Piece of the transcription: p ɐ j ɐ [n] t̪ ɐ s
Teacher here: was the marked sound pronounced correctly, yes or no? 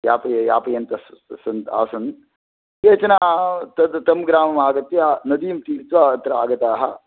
yes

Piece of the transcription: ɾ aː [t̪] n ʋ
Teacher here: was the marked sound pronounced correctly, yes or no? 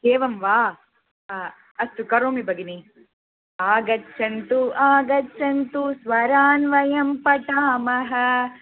no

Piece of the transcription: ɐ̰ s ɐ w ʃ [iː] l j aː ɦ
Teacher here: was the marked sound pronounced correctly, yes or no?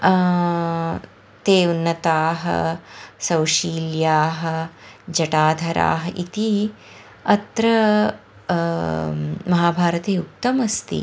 yes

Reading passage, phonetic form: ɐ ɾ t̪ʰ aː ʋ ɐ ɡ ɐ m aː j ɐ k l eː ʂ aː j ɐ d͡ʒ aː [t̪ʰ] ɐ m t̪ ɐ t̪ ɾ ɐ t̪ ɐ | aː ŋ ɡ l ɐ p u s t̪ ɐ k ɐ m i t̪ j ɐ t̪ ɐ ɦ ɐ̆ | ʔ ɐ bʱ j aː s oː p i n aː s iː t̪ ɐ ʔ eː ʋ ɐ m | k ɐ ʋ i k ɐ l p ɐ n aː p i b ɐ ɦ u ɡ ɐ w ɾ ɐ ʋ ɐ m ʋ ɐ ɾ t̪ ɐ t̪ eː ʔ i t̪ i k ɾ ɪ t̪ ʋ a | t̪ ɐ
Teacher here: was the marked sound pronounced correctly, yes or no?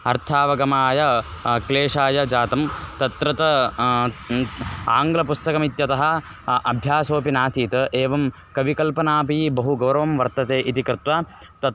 no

